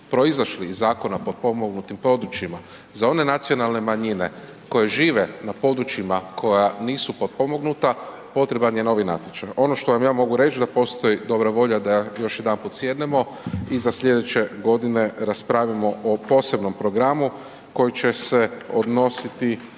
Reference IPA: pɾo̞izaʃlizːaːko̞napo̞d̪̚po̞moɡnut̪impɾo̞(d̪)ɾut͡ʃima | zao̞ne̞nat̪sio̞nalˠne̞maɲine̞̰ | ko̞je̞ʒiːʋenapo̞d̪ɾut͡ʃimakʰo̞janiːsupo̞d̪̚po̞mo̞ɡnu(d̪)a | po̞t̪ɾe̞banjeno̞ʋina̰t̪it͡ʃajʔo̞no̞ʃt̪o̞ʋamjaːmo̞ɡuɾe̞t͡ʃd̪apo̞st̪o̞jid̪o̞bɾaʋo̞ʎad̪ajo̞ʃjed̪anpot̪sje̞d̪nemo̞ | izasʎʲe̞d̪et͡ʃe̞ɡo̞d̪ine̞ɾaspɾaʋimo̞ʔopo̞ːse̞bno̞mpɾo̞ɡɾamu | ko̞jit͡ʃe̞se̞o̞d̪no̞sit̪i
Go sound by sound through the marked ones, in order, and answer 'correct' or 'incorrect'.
correct, incorrect

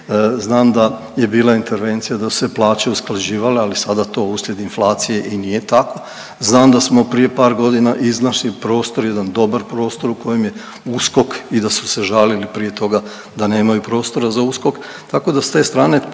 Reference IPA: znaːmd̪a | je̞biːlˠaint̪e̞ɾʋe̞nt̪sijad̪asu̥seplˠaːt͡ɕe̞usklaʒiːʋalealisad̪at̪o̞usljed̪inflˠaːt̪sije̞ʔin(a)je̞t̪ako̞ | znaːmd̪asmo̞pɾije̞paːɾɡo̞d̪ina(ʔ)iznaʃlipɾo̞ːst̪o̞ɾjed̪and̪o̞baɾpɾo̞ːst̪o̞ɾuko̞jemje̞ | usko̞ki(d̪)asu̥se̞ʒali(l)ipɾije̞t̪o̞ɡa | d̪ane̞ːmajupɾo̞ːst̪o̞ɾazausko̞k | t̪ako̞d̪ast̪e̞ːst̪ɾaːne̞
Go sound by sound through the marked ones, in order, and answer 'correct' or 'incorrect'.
incorrect, correct, correct, correct

